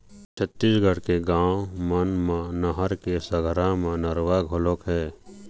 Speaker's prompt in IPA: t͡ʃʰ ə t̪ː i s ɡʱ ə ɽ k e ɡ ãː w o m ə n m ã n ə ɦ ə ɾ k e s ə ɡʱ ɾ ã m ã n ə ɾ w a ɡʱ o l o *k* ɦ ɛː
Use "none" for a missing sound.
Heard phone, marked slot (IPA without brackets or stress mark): k